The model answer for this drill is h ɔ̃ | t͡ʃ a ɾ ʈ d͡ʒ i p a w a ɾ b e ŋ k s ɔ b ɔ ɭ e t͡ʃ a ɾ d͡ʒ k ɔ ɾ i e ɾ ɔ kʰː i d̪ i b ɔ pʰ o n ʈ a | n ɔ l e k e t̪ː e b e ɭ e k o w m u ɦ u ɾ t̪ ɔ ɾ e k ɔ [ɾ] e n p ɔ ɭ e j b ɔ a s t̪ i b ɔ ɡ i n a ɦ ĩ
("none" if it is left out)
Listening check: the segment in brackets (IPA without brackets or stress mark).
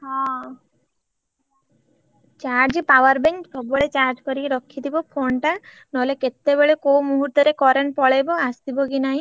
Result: ɾ